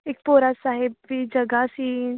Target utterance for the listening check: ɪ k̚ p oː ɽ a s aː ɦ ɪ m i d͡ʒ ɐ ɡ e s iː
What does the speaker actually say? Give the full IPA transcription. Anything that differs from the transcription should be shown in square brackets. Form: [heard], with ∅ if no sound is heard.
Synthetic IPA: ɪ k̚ p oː [ɾ] a s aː ɦ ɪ [b] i d͡ʒ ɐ ɡ [a] s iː